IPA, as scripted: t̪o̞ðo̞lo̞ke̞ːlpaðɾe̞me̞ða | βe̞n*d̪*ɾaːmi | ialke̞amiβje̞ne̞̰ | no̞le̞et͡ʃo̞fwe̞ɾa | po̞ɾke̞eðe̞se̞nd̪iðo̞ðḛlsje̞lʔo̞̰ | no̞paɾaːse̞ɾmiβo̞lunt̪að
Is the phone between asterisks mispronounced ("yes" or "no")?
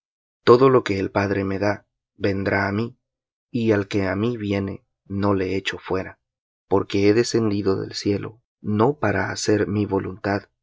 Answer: no